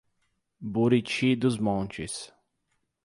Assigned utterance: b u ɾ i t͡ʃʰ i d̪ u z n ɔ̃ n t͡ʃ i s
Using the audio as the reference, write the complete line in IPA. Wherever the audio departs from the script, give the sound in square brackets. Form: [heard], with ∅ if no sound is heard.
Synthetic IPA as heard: b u ɾ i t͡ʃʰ i d̪ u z [m] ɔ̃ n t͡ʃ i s